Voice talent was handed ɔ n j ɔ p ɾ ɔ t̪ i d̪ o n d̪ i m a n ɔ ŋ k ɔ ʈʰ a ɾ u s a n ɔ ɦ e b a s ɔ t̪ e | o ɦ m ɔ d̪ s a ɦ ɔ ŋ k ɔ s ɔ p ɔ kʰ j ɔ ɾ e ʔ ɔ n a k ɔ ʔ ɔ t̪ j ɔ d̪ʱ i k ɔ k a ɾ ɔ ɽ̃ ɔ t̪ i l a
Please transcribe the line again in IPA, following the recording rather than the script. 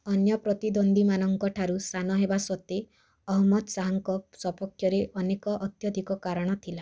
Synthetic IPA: ɔ n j ɔ p ɾ ɔ t̪ i d̪ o n d̪ i m a n ɔ ŋ k ɔ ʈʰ a ɾ u s a n ɔ ɦ e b a s ɔ t̪ e | ɔ ɦ m ɔ d̪ s a ɦ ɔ ŋ k ɔ s ɔ p ɔ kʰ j ɔ ɾ e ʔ ɔ n e k ɔ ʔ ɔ t̪ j ɔ d̪ʱ i k ɔ k a ɾ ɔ ɽ̃ ɔ t̪ʰ i l a